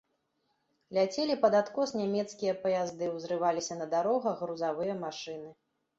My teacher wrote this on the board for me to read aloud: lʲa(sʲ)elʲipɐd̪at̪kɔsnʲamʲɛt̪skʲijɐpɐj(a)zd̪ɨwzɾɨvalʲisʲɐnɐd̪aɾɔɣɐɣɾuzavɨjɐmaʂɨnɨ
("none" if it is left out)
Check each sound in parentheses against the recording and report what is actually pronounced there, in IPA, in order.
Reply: t͡sʲ, a

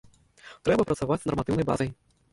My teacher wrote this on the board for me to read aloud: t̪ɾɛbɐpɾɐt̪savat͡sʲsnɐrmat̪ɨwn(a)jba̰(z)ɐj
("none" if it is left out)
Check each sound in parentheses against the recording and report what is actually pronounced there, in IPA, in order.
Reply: ɐ, z

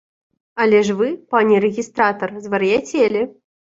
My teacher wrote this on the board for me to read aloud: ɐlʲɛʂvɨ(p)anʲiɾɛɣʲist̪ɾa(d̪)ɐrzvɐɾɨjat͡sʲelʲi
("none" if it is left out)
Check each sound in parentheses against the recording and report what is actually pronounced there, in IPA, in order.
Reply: p, t̪

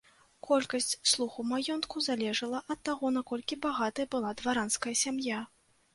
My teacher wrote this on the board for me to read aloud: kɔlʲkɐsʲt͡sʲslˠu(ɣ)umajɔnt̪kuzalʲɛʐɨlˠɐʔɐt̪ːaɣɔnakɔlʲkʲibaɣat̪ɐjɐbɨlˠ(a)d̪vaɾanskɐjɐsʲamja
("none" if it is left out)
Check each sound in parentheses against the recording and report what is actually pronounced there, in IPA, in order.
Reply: x, a

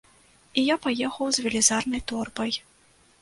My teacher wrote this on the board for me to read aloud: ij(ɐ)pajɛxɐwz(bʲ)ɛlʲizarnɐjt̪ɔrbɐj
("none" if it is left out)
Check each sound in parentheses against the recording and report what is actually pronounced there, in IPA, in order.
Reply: a, vʲ

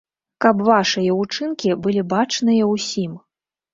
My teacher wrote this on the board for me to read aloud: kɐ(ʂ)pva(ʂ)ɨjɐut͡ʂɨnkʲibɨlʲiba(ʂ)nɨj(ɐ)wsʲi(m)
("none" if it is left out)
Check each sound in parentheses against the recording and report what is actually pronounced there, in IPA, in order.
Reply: none, ʂ, t͡ʂ, ɐ, m

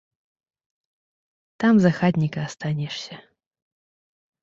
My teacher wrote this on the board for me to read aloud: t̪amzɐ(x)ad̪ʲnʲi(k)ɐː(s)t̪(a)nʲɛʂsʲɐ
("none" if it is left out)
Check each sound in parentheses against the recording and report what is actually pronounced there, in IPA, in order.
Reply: x, k, s, a

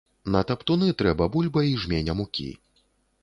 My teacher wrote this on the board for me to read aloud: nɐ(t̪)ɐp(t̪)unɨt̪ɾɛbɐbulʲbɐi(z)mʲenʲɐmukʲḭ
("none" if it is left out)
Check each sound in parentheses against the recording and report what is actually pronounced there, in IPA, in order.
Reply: t̪, t̪, ʐ

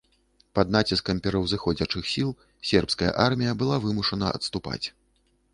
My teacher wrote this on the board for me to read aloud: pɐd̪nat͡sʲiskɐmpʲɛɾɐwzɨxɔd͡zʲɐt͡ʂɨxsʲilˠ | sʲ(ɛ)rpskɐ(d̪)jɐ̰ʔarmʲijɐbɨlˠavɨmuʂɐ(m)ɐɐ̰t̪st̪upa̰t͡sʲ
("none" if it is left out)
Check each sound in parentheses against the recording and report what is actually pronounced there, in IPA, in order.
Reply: ɛ, none, n

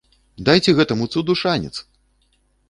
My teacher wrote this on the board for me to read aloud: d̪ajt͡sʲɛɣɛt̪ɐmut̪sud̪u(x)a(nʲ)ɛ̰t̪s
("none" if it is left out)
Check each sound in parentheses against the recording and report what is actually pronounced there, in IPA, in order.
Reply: ʂ, nʲ

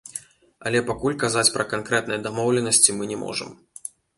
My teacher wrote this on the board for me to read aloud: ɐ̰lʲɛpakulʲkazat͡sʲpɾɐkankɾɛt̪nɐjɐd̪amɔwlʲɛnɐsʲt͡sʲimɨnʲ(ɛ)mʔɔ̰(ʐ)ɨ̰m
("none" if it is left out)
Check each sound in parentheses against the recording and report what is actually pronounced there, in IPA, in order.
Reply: ɛ, ʐ

